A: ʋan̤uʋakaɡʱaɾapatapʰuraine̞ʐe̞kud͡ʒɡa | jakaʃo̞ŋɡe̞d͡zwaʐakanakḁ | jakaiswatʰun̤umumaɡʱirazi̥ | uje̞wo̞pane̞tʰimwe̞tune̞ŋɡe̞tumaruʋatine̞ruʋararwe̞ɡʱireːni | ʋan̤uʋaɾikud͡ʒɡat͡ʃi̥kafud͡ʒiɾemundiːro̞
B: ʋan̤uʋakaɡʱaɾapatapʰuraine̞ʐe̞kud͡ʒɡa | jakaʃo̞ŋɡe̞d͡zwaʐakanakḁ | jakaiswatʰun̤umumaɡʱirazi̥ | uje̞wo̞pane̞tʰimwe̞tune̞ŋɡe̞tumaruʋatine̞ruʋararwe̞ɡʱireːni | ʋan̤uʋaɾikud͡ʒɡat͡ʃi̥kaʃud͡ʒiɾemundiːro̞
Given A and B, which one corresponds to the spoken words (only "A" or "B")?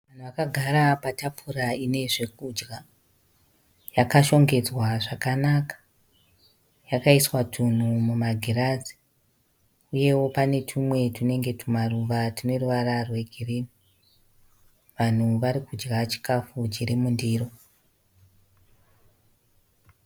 A